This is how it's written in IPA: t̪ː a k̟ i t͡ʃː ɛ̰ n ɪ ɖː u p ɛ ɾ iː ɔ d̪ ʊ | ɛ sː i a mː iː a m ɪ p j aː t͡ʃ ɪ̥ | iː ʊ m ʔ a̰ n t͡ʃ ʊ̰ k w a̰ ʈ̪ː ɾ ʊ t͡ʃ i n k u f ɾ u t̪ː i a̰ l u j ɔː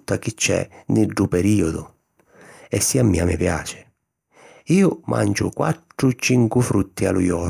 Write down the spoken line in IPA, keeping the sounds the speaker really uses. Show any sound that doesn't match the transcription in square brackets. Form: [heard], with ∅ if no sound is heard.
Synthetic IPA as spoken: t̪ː a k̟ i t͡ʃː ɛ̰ n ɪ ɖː u p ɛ ɾ iː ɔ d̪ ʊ | ɛ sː i a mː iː a m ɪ p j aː t͡ʃ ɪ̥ | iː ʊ m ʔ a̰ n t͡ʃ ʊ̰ k w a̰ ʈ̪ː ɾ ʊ t͡ʃ i [ŋ] k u f ɾ u t̪ː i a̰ l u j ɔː